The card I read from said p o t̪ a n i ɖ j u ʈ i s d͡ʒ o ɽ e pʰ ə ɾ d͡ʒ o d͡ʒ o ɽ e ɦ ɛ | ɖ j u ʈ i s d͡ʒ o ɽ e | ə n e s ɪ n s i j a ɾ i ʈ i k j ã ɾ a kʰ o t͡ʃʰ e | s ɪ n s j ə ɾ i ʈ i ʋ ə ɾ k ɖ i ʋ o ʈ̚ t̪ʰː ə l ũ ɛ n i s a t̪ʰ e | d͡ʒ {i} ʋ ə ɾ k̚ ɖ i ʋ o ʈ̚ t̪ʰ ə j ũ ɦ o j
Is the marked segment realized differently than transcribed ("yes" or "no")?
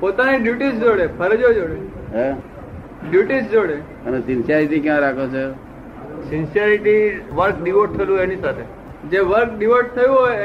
yes